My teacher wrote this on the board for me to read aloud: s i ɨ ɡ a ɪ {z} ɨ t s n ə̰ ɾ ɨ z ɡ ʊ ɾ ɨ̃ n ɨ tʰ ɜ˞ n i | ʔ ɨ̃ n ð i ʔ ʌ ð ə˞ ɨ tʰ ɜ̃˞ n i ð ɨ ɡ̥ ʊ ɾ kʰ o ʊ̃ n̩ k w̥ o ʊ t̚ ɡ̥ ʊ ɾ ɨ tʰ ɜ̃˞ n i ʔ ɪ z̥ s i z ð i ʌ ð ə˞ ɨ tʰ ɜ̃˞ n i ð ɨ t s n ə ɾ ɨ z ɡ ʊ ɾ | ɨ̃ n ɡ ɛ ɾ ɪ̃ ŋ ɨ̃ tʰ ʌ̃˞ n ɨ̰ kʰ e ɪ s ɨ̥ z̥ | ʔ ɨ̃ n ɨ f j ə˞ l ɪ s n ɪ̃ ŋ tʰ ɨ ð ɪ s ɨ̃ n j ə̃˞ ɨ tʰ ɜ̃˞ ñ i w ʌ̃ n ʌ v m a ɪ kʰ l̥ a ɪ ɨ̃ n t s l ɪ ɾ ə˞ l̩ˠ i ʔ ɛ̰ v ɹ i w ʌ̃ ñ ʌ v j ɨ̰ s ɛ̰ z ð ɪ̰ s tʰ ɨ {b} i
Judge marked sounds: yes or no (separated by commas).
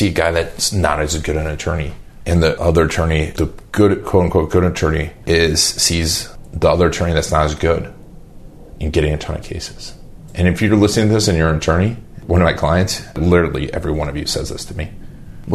no, no